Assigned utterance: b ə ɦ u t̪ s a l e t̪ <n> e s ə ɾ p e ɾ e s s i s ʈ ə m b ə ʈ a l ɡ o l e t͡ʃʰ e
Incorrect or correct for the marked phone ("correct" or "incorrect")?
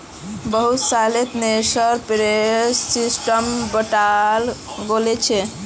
correct